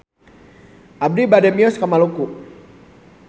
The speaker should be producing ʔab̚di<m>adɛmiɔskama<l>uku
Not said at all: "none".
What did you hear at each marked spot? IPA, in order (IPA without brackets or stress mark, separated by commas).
b, l